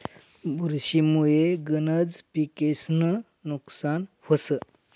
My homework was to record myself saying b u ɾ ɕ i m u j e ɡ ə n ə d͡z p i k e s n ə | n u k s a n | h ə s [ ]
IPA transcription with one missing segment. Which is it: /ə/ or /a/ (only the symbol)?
ə